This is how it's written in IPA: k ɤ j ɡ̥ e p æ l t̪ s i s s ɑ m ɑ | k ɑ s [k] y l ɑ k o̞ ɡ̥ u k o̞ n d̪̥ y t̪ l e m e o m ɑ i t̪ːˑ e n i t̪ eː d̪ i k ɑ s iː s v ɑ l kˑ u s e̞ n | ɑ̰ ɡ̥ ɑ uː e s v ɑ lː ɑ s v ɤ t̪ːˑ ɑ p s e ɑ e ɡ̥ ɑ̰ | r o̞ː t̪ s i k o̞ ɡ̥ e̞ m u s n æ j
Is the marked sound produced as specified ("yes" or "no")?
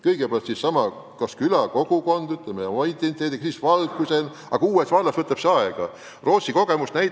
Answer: yes